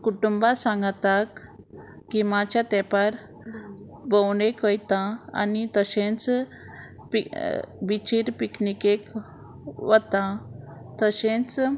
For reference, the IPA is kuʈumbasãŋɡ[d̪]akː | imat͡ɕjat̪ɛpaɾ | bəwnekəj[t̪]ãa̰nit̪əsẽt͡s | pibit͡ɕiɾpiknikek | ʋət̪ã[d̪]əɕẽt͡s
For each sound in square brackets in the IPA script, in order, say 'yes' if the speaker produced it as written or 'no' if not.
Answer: no, yes, no

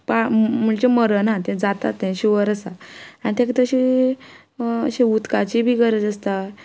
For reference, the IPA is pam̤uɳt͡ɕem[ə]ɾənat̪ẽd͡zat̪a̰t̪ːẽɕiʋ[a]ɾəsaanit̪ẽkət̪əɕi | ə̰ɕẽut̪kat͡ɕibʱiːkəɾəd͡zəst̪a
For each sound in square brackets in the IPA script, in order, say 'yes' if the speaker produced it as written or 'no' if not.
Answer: yes, no

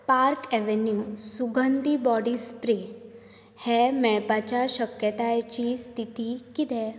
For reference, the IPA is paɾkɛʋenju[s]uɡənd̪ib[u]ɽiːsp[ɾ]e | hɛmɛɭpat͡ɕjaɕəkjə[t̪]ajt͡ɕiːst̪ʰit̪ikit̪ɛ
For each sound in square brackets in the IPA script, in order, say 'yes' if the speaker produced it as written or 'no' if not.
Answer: yes, no, yes, yes

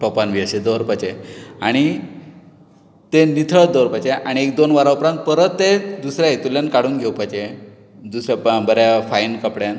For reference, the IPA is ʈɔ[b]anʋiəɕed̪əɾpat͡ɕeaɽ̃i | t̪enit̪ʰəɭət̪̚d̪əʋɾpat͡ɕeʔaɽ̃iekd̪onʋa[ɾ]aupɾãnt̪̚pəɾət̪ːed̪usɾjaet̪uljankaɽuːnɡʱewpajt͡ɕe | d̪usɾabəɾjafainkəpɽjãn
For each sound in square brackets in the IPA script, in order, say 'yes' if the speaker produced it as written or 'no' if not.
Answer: no, yes

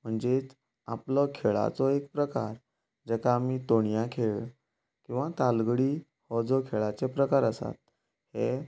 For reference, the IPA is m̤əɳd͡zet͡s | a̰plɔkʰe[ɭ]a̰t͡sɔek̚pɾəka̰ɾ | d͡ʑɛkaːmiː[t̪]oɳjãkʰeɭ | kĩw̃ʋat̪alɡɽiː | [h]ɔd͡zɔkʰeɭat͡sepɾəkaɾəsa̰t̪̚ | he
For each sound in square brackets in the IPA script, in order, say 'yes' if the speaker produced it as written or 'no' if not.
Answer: yes, yes, yes

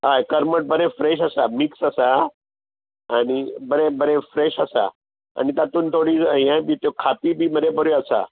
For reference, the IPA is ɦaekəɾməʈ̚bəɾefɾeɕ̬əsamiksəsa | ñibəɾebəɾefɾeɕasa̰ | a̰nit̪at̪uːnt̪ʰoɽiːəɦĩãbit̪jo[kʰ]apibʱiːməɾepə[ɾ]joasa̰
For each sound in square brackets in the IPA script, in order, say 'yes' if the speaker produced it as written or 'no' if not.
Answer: yes, yes

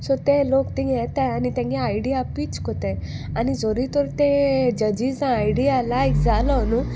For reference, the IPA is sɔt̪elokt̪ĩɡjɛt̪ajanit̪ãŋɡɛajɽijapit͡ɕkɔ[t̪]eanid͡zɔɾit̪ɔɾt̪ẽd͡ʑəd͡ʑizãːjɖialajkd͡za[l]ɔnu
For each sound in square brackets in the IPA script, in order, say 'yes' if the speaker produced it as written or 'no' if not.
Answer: yes, yes

